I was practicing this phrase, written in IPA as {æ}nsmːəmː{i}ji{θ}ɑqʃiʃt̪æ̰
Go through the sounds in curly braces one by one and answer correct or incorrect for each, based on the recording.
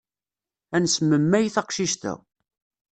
correct, incorrect: æ, correct

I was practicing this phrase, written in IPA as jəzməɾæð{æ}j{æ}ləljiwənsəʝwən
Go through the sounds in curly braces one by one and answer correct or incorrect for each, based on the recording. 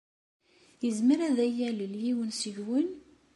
correct, correct

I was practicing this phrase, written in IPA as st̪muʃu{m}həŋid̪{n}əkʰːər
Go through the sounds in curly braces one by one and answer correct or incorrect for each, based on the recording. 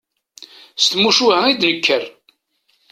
incorrect: none, correct

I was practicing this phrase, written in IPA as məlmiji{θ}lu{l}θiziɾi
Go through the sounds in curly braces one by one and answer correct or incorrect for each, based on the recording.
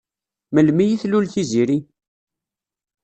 correct, correct

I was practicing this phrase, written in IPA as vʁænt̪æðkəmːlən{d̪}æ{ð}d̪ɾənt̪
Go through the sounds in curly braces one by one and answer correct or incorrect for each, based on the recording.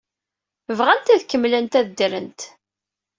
incorrect: t̪, correct

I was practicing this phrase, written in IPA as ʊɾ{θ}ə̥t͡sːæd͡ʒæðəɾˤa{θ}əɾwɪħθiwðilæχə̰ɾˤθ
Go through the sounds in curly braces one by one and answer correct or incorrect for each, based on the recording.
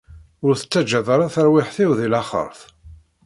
correct, correct

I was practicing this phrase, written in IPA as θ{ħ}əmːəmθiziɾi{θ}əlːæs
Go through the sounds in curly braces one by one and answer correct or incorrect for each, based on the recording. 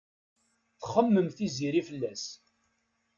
incorrect: χ, incorrect: f

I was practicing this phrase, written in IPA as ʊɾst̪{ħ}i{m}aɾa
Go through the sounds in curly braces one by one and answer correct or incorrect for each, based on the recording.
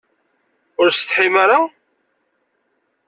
correct, correct

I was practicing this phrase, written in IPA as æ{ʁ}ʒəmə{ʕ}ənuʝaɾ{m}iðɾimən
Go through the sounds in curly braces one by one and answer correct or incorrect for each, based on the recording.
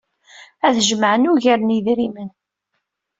incorrect: ð, correct, incorrect: n

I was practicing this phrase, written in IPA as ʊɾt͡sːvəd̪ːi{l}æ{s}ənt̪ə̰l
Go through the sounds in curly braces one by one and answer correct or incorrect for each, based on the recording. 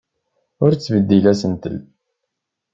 correct, correct

